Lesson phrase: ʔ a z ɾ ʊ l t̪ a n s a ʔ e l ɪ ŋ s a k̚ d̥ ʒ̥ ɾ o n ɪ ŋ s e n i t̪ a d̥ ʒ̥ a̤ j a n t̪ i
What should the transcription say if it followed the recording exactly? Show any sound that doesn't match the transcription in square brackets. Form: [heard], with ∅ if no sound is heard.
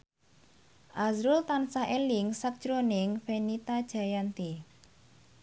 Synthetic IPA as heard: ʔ a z ɾ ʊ l t̪ a n s a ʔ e l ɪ ŋ s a k̚ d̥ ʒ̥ ɾ o n ɪ ŋ [f] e n i t̪ a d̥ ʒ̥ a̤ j a n t̪ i